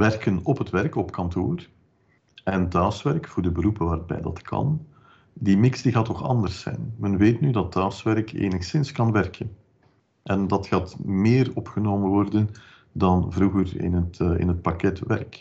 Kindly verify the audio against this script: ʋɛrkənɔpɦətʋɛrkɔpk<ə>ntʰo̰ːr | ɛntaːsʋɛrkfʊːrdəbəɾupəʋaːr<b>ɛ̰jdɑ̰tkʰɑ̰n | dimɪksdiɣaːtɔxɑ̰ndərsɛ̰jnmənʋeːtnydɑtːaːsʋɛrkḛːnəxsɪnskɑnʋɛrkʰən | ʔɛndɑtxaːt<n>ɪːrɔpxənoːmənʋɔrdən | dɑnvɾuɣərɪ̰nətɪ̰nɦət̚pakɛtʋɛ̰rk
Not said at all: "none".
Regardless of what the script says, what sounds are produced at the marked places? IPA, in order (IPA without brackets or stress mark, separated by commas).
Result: ɑ, b, m